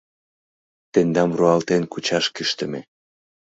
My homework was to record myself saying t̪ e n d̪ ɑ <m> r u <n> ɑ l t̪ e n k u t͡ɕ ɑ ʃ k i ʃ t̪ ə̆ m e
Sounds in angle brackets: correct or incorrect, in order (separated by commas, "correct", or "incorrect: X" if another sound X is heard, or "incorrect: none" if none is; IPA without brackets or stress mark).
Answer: correct, incorrect: none